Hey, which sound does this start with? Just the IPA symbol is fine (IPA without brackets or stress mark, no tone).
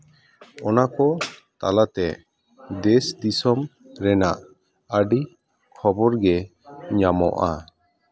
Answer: ɔ